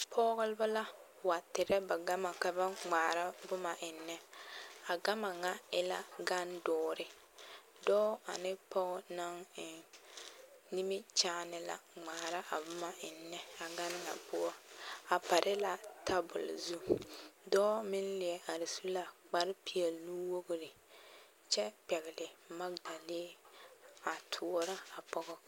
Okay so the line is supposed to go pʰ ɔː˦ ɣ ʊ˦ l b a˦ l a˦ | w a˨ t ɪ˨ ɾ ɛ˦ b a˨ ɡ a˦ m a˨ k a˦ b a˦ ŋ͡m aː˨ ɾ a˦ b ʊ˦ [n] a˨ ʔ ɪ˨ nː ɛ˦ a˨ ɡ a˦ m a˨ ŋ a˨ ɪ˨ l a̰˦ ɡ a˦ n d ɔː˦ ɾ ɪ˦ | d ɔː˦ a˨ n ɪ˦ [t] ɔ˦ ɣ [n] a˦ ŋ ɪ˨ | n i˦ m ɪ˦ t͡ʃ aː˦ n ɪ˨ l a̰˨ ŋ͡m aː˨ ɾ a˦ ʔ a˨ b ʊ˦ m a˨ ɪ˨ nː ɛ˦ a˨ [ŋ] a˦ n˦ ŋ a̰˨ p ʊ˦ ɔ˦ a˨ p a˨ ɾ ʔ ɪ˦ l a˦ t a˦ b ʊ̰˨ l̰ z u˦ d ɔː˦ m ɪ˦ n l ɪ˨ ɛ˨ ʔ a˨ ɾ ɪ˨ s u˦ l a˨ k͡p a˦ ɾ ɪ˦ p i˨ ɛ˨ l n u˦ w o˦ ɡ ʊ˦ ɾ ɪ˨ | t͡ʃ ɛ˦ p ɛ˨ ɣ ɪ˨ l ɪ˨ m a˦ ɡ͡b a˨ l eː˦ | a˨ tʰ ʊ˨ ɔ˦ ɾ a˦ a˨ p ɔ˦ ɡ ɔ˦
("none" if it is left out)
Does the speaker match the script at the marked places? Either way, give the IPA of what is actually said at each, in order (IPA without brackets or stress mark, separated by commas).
m, p, n, ɡ